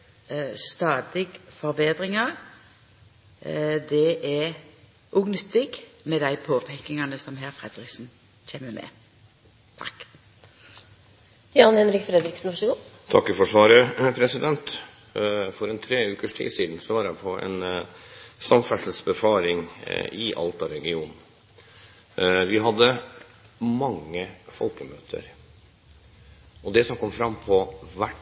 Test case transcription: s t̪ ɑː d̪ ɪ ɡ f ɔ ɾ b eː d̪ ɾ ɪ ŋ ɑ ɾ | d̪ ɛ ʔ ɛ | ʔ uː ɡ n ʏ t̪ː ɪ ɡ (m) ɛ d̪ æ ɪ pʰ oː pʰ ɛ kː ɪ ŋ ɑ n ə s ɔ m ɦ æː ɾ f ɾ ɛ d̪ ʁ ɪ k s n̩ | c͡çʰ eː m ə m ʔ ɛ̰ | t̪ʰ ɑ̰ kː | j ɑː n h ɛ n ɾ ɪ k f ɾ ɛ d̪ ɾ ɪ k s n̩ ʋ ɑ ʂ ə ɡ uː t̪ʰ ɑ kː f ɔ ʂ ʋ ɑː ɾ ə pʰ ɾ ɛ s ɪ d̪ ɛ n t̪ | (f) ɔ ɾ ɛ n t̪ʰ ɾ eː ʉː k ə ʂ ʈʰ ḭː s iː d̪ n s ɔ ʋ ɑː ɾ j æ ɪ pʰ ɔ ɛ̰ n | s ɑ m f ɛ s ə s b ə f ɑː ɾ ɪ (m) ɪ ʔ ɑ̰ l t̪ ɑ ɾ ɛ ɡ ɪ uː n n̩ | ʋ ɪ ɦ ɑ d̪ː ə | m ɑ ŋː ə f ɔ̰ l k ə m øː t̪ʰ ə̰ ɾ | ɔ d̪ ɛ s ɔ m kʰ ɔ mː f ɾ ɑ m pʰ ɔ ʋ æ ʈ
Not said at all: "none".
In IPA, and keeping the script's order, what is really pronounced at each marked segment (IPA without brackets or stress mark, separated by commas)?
m, f, ŋ